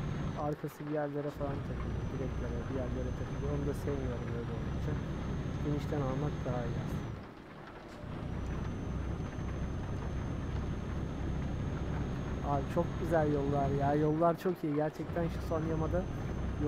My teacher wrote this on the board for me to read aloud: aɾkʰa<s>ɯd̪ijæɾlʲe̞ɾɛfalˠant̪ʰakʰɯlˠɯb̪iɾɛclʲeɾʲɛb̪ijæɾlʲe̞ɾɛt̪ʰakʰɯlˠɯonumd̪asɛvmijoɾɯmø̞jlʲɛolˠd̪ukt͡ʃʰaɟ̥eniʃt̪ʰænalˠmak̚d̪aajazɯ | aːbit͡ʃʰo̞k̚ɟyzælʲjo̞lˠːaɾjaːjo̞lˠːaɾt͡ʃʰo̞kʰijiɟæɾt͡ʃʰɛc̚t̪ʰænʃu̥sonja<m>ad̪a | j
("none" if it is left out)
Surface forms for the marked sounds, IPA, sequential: s, m

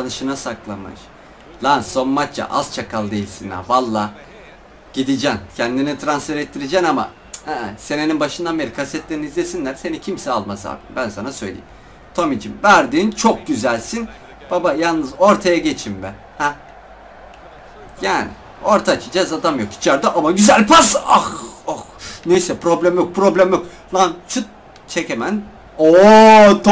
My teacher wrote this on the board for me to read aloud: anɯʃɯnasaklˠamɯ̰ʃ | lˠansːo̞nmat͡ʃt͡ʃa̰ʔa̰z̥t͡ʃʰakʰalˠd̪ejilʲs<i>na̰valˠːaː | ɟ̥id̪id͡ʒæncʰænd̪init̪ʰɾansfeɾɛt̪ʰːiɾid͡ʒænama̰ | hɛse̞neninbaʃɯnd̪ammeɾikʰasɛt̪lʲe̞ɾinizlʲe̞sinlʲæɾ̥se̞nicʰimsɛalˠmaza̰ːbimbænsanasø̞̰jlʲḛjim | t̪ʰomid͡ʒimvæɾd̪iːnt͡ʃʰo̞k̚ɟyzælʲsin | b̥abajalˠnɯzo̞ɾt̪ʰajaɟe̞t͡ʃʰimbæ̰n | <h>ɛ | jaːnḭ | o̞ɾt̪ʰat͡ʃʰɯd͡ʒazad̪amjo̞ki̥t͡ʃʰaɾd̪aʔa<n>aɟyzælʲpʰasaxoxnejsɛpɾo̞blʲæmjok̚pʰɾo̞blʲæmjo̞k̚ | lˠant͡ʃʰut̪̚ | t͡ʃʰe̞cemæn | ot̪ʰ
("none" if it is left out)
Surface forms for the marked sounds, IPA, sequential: i, h, m

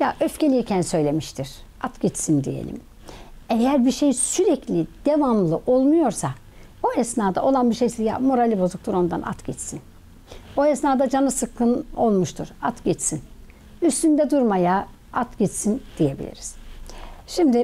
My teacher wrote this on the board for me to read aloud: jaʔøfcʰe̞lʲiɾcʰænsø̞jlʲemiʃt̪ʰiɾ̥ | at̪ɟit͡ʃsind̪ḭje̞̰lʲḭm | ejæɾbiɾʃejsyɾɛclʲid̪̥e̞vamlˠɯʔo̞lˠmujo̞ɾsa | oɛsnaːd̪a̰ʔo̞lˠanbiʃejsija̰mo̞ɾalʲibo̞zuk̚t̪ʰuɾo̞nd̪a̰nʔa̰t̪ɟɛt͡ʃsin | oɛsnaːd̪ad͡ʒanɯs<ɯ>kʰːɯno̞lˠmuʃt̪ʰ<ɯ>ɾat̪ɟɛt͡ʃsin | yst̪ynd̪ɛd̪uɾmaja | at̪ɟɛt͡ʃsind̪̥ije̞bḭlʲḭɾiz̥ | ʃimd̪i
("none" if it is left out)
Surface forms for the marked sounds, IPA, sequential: ɯ, u

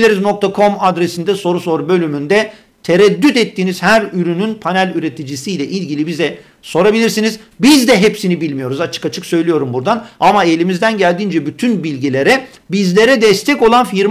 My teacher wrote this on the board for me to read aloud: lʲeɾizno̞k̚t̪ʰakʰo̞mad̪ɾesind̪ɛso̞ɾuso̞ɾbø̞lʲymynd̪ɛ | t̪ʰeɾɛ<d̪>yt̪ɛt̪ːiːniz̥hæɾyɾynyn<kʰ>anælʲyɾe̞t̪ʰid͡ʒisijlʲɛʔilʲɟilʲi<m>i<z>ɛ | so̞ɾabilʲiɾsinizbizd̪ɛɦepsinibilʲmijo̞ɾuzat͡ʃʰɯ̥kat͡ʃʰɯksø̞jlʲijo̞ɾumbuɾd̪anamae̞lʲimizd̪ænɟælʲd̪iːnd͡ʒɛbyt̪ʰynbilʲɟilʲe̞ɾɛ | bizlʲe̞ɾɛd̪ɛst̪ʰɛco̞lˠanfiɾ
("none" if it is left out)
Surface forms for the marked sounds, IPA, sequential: d̪ː, pʰ, b, z

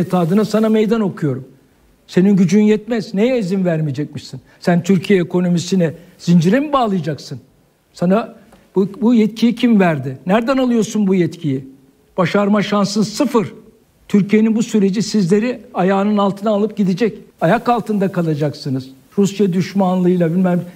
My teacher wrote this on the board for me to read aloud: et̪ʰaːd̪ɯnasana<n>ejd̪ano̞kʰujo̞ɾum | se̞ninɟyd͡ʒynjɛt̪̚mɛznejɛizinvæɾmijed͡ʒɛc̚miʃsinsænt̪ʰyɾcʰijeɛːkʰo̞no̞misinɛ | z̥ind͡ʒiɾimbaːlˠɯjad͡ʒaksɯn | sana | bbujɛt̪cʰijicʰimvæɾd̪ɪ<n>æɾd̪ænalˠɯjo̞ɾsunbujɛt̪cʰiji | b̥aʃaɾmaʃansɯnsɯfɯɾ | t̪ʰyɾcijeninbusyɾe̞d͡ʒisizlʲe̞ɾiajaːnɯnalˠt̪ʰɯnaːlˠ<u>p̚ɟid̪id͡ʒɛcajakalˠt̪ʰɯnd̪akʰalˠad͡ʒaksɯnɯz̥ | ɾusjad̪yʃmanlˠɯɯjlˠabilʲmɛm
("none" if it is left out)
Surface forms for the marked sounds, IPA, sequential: m, n, ɯ

